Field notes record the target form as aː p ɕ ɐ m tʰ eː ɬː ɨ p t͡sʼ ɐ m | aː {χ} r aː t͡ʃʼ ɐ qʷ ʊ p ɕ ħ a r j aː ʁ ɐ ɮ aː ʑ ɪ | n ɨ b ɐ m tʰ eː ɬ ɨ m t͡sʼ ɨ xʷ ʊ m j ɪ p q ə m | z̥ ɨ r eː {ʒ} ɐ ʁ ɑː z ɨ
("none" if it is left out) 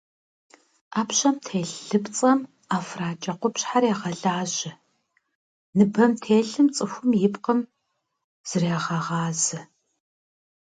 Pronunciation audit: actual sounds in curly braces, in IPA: f, ʁ

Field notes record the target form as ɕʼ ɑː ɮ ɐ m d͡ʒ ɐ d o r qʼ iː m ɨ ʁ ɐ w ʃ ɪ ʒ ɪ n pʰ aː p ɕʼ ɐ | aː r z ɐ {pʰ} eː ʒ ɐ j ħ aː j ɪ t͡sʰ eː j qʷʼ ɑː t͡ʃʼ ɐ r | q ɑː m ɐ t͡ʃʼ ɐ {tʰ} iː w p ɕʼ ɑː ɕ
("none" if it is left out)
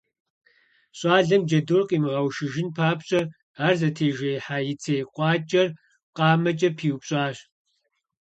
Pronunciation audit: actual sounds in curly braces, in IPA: tʰ, pʰ

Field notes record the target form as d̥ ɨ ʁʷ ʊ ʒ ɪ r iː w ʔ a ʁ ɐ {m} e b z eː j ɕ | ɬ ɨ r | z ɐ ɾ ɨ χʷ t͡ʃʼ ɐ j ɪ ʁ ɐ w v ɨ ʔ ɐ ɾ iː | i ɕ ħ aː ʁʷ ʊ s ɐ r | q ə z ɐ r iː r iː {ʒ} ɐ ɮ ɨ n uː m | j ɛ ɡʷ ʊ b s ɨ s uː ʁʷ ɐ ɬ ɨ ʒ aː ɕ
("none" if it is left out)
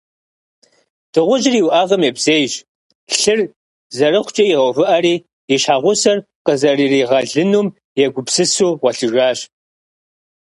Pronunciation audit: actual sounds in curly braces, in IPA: m, ʁ

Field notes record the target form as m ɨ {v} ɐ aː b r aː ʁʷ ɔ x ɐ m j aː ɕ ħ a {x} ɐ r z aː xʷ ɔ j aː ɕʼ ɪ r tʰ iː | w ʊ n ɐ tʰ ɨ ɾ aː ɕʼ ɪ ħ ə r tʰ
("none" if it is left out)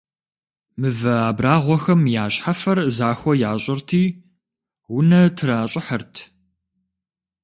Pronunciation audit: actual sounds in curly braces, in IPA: v, f

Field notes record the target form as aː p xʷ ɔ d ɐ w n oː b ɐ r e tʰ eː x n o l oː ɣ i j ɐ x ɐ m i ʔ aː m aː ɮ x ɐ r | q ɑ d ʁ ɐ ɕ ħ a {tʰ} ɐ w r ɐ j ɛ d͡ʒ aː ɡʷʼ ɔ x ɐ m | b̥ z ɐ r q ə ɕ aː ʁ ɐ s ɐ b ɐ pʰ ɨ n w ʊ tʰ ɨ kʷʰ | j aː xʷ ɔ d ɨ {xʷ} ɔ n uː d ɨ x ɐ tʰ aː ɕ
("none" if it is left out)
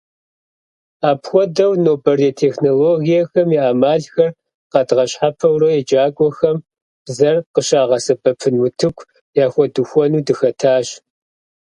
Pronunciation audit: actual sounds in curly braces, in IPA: pʰ, xʷ

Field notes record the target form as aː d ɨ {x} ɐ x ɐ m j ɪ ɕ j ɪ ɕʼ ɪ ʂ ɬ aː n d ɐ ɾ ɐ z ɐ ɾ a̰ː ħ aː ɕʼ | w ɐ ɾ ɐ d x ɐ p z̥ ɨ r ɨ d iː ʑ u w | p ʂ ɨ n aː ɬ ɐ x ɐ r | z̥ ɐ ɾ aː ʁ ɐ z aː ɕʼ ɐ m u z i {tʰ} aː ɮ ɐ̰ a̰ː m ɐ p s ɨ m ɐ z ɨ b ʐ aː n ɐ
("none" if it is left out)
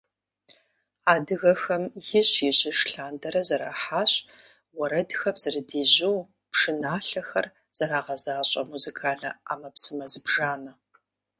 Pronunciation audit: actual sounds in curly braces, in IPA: ɣ, kʰ

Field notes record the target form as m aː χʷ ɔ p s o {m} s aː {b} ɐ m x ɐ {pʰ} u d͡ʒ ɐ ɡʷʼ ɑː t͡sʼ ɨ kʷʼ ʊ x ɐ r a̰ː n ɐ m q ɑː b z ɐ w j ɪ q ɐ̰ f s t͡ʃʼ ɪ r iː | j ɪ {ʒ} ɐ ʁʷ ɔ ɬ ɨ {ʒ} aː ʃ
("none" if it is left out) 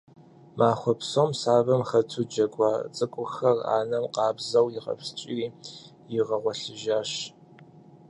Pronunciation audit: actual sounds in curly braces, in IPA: m, v, tʰ, ʁ, ʒ

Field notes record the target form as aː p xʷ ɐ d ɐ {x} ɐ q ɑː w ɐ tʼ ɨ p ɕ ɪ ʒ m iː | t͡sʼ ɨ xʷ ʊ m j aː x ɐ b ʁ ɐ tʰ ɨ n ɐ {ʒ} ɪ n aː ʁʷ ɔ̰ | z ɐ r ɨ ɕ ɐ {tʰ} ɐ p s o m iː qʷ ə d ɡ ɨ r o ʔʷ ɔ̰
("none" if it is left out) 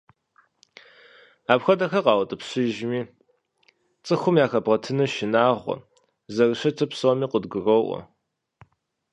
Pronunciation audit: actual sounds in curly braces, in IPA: x, ʃ, tʰ

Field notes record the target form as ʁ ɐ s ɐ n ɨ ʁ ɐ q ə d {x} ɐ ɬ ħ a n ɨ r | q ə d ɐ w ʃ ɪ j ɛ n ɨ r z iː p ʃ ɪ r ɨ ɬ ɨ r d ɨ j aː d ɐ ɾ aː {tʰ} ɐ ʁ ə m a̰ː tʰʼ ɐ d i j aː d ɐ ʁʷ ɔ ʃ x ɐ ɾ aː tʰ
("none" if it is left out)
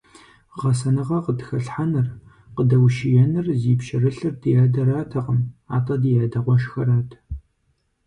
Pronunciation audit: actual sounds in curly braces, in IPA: x, tʰ

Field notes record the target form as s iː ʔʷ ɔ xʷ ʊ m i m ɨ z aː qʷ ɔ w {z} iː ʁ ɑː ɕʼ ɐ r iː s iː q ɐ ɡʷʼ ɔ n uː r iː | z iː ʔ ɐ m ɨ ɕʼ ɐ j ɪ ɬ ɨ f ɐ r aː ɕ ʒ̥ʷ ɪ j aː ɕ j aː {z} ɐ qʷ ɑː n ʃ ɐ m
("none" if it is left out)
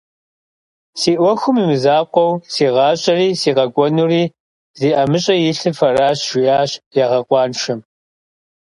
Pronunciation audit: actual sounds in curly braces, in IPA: s, ʁ

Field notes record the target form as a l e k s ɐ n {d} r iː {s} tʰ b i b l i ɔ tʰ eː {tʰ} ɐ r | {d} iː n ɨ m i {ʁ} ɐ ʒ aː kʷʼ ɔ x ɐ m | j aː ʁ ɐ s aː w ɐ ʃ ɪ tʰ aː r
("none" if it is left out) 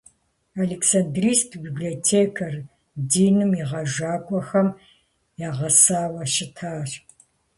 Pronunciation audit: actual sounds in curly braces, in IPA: d, s, kʰ, d, ʁ

